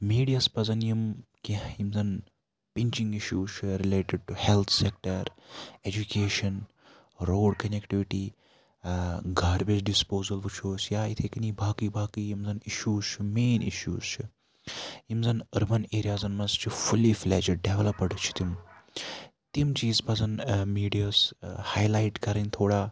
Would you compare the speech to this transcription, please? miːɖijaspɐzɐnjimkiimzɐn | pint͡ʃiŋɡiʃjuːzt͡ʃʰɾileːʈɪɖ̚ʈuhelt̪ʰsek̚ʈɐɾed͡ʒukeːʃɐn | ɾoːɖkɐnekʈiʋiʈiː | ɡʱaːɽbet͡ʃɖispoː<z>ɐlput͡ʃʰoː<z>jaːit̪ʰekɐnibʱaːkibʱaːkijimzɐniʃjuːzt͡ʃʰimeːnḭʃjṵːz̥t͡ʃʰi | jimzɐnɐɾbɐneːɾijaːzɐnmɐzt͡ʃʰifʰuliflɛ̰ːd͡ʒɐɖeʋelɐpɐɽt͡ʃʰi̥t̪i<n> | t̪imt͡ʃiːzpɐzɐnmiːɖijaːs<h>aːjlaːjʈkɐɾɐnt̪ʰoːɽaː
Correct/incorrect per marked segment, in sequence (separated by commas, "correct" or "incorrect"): correct, incorrect, incorrect, correct